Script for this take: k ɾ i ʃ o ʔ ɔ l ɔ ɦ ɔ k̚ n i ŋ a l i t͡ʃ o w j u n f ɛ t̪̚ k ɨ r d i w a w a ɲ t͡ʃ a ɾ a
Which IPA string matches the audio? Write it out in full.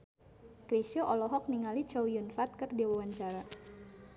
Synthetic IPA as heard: k ɾ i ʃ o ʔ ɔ l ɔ ɦ ɔ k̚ n i ŋ a l i t͡ʃ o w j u n f a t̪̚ k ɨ r d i w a w a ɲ t͡ʃ a ɾ a